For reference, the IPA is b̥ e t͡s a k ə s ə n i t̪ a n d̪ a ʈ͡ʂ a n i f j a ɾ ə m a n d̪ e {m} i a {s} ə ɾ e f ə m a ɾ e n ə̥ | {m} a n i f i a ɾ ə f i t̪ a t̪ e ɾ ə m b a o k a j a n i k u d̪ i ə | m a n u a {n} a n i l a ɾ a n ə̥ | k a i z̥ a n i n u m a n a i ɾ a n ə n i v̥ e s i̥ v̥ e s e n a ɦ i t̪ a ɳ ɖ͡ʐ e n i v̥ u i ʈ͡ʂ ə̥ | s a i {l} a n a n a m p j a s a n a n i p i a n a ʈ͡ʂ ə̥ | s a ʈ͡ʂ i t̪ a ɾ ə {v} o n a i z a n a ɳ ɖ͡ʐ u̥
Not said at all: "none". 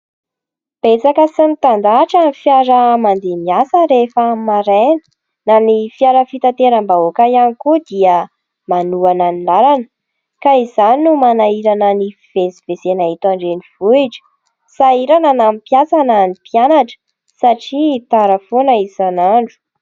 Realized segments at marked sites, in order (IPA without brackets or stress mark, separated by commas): m, s, n, n, ɾ, f